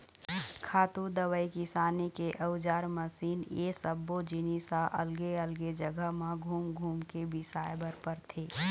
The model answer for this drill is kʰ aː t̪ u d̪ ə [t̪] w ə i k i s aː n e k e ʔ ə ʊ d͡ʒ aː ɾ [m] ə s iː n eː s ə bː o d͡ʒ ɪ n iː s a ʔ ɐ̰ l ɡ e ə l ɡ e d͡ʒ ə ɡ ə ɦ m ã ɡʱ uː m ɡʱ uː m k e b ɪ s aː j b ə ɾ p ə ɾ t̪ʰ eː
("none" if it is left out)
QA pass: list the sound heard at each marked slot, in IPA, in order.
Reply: none, m

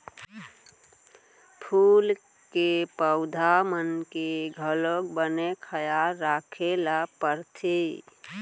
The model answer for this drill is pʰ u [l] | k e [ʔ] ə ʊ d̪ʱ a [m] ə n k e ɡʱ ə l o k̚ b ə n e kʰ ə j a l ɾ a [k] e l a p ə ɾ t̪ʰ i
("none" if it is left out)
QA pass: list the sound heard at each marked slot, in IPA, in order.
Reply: l, p, m, kʰ

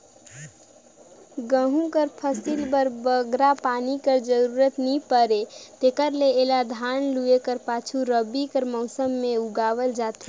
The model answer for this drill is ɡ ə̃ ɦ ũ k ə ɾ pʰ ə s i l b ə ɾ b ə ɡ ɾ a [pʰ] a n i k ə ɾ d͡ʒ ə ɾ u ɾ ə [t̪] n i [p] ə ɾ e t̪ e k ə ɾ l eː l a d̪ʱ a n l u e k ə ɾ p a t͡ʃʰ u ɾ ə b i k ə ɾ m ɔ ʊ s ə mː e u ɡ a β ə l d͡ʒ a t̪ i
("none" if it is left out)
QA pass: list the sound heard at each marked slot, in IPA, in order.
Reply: p, t̪, p

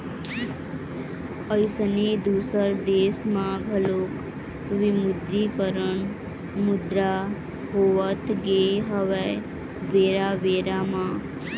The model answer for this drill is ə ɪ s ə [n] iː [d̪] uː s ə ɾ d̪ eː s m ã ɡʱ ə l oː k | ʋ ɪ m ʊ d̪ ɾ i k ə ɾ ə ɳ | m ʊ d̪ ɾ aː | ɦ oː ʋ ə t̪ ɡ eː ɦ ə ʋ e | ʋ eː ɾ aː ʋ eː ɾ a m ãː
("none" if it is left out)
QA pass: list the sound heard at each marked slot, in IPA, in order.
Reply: n, d̪

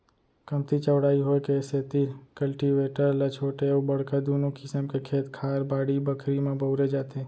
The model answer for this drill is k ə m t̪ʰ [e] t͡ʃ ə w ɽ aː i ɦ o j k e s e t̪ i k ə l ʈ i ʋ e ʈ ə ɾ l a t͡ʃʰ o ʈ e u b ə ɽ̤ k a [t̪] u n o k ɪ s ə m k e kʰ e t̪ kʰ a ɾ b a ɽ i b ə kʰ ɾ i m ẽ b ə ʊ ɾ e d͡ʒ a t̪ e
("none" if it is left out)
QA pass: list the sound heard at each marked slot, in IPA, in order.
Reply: i, d̪

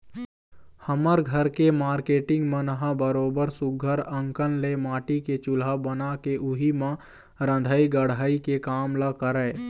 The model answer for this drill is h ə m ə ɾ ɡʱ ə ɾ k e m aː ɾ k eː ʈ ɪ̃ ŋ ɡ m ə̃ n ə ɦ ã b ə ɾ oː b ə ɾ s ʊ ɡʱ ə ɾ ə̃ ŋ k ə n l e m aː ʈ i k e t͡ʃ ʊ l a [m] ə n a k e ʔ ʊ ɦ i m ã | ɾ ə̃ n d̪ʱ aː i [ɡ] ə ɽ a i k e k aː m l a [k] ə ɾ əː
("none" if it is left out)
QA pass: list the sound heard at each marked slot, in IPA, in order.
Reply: b, ɡ, k

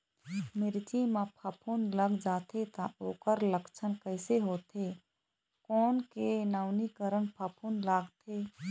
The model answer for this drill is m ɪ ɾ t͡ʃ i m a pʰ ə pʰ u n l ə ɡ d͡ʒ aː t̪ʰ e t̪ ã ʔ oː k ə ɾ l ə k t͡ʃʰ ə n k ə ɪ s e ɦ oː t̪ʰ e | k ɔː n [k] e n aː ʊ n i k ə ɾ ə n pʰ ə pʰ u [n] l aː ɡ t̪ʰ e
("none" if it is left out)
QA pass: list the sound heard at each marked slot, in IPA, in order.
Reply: k, n

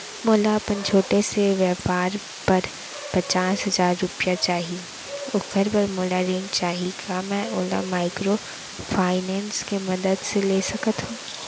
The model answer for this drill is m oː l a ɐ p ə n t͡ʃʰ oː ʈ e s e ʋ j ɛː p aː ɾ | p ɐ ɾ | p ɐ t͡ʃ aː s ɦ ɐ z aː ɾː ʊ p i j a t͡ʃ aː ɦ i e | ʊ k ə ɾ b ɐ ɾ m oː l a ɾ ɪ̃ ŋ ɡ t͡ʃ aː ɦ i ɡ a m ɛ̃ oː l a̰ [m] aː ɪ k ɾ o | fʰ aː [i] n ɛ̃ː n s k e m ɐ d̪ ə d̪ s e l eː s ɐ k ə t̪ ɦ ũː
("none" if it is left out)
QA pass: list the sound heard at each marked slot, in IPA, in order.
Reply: m, ɪ

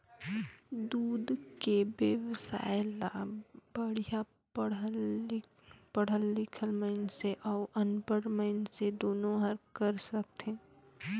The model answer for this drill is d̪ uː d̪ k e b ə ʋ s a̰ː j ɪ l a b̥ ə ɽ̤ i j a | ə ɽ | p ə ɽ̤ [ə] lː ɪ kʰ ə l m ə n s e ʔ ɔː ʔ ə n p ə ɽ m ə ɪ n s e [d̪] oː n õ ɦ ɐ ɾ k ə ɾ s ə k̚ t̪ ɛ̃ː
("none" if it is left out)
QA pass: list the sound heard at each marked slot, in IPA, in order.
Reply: ə, d̪

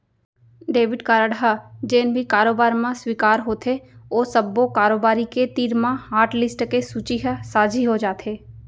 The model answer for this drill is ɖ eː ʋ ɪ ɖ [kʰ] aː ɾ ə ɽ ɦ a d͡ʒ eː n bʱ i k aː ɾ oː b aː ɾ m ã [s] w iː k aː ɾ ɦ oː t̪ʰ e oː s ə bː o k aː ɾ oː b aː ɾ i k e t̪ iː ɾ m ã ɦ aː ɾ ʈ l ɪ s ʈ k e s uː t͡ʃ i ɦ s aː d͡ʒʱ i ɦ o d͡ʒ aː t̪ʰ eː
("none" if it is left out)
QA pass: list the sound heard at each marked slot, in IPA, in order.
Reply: k, s

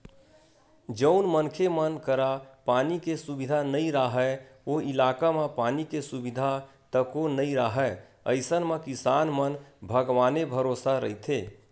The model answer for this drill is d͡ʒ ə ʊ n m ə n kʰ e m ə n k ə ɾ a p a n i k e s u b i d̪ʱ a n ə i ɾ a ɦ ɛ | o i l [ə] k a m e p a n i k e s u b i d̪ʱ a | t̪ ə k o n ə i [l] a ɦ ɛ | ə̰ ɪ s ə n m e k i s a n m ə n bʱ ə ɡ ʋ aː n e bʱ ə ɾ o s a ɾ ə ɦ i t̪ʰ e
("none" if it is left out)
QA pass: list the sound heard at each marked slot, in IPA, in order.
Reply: a, ɾ

